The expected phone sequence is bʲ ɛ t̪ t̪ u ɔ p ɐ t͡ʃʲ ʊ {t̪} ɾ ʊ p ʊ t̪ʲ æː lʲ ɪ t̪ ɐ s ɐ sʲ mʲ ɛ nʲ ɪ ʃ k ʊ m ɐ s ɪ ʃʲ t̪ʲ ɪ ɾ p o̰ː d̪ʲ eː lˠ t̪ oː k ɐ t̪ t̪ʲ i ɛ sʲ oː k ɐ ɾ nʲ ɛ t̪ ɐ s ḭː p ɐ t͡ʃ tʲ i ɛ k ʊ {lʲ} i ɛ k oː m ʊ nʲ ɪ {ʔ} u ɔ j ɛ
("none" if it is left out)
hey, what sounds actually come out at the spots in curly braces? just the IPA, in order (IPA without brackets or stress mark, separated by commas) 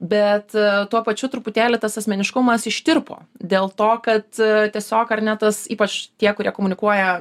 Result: t̪, ɾʲ, k